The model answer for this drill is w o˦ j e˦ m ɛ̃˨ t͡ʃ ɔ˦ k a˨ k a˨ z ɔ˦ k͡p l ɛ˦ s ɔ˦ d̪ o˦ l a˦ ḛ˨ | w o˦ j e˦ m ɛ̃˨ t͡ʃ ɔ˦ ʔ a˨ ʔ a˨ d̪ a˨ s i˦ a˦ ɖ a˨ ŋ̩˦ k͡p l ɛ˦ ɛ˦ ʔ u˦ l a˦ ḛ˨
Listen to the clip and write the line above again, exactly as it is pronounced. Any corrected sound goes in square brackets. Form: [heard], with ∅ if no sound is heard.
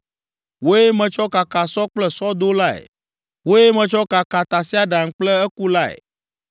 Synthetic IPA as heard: w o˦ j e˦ m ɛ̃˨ t͡ʃ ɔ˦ k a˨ k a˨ [s] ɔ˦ k͡p l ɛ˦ s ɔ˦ d̪ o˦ l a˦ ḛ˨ | w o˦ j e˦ m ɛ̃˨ t͡ʃ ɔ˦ [k] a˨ [k] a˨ [t̪] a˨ s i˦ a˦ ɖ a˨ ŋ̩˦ k͡p l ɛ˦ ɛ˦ [k] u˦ l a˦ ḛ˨